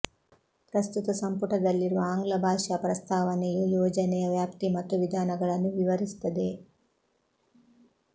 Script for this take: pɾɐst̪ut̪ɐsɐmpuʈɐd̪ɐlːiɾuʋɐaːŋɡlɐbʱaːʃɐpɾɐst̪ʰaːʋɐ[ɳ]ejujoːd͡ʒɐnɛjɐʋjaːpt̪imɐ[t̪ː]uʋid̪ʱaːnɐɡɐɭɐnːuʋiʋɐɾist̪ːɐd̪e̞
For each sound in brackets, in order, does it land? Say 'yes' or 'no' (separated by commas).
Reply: no, yes